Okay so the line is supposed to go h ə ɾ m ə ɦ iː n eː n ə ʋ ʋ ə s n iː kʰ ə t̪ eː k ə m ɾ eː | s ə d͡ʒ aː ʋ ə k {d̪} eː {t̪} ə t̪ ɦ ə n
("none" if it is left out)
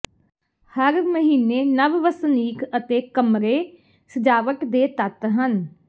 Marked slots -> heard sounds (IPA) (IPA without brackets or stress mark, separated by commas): d̪, t̪